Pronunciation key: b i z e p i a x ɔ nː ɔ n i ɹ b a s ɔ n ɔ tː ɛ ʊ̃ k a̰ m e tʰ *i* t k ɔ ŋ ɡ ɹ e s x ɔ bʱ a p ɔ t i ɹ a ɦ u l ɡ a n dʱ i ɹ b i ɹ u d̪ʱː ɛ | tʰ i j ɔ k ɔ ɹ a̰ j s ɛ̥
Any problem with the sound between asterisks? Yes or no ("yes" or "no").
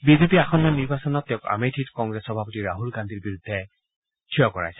no